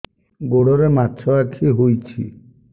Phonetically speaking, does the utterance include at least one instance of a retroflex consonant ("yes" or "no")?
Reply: yes